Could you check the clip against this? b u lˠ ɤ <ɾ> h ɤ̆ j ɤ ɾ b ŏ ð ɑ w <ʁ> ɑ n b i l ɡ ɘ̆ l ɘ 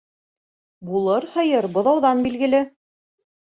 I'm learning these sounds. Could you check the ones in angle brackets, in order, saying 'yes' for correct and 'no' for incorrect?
yes, no

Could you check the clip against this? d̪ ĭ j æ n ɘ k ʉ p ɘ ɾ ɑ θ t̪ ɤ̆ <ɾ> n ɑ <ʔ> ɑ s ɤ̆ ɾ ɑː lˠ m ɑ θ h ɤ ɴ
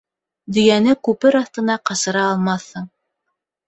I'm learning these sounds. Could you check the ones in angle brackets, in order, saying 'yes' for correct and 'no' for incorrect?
no, no

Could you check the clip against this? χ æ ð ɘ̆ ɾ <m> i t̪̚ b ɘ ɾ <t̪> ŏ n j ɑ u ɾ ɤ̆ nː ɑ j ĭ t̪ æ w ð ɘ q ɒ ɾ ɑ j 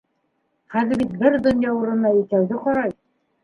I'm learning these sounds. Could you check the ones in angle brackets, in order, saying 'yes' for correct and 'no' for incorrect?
no, no

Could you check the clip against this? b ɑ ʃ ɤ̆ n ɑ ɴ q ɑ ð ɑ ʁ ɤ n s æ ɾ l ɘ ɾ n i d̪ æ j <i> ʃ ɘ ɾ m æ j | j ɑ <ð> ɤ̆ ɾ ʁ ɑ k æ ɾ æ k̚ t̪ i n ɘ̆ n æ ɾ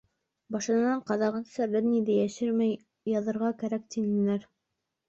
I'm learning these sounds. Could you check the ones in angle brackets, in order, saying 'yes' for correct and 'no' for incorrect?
no, yes

